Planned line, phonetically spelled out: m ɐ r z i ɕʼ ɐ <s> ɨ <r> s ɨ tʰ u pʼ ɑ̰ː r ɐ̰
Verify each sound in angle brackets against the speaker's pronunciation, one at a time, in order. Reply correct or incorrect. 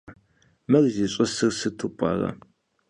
correct, correct

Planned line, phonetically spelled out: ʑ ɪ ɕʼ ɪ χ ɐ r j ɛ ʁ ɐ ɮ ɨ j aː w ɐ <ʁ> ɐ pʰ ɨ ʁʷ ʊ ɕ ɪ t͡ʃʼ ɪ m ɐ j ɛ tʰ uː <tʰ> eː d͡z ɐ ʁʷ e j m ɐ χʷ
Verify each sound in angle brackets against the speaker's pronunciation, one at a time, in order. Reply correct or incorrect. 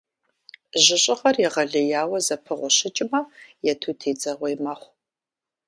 incorrect, correct

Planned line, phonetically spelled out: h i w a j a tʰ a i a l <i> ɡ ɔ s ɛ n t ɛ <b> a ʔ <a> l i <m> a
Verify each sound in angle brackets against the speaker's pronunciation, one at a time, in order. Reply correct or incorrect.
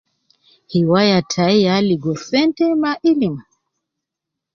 correct, incorrect, incorrect, correct

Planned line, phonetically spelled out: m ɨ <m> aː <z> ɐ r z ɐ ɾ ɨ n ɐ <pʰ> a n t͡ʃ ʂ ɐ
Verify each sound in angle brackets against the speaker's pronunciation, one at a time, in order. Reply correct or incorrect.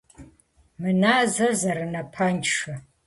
incorrect, correct, correct

